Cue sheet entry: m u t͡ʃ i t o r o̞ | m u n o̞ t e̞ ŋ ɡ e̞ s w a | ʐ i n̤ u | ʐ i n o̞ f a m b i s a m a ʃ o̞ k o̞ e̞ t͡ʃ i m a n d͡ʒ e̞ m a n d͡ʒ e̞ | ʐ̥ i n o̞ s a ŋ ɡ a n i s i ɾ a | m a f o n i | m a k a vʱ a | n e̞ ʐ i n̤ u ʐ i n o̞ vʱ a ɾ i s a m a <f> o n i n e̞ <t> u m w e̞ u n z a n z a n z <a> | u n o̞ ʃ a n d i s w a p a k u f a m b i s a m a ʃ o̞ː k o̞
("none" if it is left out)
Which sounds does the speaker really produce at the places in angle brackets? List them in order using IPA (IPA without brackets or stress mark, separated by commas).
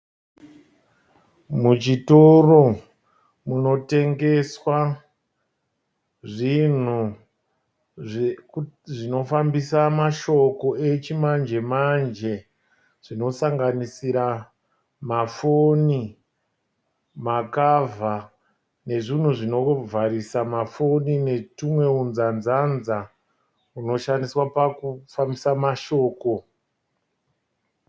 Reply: f, t, a